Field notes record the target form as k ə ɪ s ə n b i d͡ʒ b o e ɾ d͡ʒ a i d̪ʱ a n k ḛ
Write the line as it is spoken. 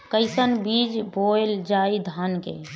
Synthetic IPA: k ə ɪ s ə n b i d͡ʒ b o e l d͡ʒ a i d̪ʱ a n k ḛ

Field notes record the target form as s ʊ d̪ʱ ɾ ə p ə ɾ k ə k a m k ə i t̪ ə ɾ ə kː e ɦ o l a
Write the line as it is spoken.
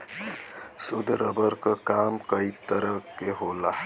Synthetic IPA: s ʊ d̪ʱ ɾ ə b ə ɾ k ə k a m k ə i t̪ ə ɾ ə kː e ɦ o l a

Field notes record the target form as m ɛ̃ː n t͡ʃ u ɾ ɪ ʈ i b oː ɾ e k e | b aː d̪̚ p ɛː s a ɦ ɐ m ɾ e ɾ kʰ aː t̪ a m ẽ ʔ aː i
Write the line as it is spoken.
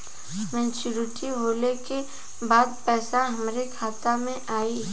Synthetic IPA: m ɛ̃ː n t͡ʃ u ɾ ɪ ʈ i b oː l e k e | b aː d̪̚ p ɛː s a ɦ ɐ m ɾ e kʰ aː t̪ a m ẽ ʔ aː i

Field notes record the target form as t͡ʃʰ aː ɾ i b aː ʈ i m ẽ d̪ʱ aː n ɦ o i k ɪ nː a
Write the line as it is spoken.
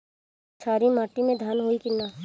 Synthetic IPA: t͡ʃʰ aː ɾ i m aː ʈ i m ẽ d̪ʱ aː n ɦ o i k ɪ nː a

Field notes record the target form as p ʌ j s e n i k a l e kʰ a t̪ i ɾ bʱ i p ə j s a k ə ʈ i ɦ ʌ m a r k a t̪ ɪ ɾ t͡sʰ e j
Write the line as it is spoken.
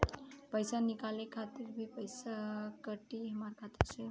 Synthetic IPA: p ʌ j s a n i k a l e kʰ a t̪ i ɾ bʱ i p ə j s a k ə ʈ i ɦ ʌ m a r kʰ a t̪ i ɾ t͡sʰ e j

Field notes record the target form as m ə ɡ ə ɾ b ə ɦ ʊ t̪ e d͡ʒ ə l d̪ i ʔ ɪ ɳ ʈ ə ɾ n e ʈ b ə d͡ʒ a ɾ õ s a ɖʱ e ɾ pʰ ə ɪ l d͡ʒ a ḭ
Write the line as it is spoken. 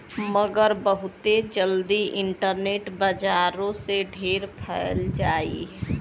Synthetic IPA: m ə ɡ ə ɾ b ə ɦ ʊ t̪ e d͡ʒ ə l d̪ i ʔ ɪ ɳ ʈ ə ɾ n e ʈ b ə d͡ʒ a ɾ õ s e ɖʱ e ɾ pʰ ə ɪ l d͡ʒ a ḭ

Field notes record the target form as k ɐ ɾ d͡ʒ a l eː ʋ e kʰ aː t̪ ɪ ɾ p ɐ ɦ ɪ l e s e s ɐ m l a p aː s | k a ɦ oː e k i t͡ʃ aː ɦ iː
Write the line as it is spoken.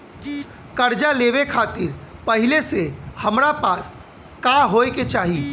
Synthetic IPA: k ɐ ɾ d͡ʒ a l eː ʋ e kʰ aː t̪ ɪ ɾ p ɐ ɦ ɪ l e s e h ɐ m ɾ a p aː s | k a ɦ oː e k e t͡ʃ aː ɦ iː

